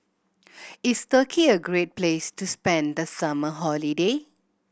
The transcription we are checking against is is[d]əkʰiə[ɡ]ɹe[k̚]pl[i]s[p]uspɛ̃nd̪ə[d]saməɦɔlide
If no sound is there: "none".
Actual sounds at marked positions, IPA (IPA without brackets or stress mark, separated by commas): t, ɡ, t̚, e, t, none